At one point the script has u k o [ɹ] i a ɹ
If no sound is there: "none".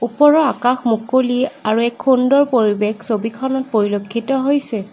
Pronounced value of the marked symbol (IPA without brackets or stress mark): l